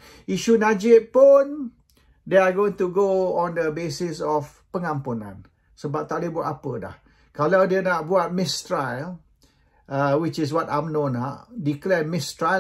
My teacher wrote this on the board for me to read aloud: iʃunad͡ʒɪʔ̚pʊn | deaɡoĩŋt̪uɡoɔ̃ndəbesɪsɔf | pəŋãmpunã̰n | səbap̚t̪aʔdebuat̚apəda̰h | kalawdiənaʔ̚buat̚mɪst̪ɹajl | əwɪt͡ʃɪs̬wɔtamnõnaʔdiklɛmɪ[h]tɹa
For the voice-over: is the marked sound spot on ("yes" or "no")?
no